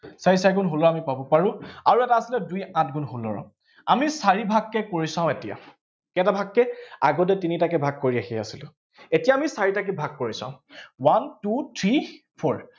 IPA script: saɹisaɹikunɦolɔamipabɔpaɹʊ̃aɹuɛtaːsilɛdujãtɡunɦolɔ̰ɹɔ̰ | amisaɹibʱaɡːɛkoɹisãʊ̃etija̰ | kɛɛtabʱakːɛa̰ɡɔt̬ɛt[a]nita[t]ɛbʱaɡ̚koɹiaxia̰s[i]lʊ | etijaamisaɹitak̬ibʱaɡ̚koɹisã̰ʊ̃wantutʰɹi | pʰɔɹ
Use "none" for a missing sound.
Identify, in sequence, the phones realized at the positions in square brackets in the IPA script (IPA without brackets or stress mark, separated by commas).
i, k, i